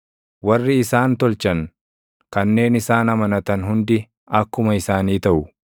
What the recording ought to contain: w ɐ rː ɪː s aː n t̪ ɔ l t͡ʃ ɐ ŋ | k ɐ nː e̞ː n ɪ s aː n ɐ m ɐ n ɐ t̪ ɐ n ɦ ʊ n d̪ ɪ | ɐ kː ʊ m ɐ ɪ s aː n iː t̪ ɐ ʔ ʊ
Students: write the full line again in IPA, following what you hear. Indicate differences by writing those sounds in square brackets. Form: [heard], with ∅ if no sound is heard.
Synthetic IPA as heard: w ɐ rː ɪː s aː n t̪ ɔ l t͡ʃ ɐ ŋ | k ɐ nː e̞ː n ɪ s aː n ɐ m ɐ n ɐ t̪ ɐ n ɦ ʊ n d̪ ɪ | ɐ kː ʊ m ɐ ɪ s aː n iː t̪ ɐ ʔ ʊ